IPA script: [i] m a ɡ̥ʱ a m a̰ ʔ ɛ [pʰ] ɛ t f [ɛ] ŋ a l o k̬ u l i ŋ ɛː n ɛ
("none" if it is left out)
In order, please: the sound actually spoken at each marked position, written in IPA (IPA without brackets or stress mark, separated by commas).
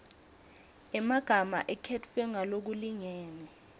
ɛ, kʰ, ɛ